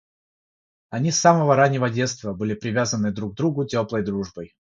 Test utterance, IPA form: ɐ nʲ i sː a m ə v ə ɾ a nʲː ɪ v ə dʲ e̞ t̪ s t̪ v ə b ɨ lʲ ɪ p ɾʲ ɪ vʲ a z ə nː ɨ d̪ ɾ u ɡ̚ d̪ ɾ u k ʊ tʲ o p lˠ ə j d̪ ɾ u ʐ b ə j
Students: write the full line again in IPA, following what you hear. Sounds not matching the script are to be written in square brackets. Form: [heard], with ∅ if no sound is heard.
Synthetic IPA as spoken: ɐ nʲ i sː a m ə v ə ɾ a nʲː ɪ v ə dʲ e̞ t̪ s t̪ v ə b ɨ lʲ ɪ p ɾʲ ɪ vʲ a z ə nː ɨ d̪ ɾ u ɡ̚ d̪ ɾ u [ɡ] ʊ tʲ o p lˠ ə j d̪ ɾ u ʐ b ə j